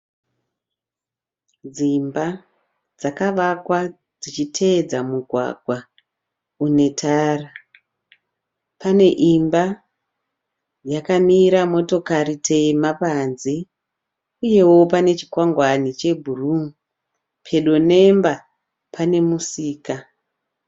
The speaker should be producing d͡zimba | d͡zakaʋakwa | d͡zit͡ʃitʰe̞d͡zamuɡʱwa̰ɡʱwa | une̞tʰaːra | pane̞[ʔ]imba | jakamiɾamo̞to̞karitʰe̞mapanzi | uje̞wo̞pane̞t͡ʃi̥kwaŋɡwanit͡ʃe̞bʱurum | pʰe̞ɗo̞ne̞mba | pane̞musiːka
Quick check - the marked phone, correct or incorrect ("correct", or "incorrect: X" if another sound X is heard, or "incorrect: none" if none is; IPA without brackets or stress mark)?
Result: correct